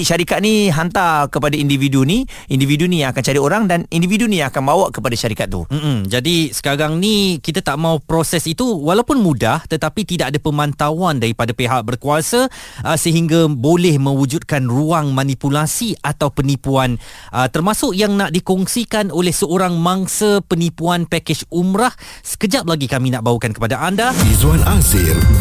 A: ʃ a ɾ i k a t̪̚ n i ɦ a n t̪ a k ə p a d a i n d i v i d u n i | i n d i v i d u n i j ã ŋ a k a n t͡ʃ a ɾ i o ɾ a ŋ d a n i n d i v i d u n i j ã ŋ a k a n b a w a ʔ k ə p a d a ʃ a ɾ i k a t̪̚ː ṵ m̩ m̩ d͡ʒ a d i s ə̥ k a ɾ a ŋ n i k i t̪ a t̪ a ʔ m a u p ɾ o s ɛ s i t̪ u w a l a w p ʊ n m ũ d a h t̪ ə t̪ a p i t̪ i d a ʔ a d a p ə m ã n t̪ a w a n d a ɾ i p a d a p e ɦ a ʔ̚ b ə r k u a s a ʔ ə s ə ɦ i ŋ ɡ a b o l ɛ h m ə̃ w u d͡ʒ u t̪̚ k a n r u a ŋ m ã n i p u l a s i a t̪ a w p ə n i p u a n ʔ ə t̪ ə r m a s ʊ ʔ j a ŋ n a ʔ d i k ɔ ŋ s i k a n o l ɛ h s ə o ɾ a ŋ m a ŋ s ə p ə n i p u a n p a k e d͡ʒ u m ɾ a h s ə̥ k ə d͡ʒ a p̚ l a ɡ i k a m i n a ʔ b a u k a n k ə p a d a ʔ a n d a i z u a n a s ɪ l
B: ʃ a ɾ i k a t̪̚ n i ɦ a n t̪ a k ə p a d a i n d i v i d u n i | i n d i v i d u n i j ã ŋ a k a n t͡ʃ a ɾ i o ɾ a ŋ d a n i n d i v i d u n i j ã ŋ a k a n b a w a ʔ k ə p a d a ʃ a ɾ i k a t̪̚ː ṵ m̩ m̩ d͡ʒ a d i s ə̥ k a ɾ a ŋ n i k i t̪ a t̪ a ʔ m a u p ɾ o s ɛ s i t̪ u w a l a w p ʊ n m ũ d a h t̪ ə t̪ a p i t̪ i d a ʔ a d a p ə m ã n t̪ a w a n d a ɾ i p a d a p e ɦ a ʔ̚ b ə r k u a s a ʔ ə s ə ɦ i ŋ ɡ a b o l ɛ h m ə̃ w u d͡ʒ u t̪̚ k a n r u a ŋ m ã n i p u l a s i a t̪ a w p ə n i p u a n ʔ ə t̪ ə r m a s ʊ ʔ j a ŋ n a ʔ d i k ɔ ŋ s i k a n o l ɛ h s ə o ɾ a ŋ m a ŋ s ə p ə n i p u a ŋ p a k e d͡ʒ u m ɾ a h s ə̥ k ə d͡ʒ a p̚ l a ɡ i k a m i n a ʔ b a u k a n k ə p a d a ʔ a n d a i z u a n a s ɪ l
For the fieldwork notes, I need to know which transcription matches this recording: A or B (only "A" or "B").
A